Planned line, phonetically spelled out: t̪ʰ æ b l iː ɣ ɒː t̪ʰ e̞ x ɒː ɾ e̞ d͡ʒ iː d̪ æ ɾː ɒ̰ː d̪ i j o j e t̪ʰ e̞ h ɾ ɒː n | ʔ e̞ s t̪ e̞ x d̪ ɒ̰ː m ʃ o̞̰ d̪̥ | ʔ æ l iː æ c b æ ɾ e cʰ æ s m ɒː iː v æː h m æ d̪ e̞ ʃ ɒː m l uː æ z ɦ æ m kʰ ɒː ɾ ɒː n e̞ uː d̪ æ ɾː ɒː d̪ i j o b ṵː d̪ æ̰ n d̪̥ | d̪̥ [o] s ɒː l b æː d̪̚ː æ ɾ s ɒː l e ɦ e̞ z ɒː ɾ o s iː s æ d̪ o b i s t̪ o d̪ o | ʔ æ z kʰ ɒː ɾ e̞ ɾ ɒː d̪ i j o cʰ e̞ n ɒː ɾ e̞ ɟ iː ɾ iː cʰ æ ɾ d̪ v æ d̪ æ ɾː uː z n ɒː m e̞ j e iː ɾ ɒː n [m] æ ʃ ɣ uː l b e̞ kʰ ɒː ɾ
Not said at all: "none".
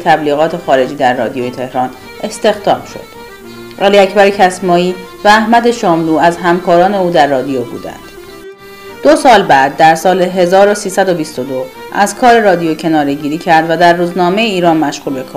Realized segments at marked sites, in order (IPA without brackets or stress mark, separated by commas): o, m